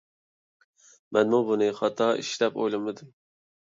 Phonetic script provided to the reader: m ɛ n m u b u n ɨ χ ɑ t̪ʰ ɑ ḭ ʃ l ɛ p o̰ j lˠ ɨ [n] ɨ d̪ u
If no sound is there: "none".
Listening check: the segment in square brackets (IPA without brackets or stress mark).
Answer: m